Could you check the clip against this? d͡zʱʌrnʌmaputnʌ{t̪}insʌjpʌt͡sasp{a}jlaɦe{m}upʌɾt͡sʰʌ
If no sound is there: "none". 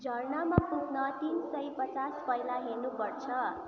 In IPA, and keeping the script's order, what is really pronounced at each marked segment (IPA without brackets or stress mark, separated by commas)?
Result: t̪, ʌ, n